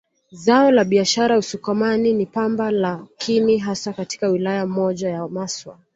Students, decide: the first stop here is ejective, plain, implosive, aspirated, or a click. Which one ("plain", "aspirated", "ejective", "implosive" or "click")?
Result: implosive